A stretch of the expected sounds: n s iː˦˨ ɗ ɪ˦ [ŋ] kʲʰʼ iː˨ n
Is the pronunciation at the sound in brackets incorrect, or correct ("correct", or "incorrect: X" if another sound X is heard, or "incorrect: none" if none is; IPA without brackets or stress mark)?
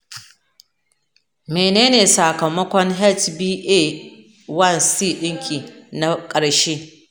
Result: correct